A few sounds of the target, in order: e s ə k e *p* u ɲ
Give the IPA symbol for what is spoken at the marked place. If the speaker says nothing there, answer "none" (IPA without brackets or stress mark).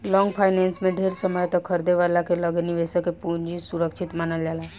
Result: p